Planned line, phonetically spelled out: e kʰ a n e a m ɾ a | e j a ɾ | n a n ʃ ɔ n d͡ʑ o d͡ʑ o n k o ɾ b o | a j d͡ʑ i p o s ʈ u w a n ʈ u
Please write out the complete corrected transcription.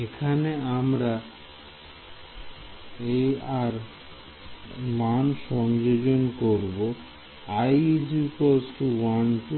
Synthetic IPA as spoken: e kʰ a n e a m ɾ a | e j a ɾ | m a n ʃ ɔ ŋ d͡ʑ o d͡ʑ o n k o ɾ b o | a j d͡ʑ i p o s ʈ u w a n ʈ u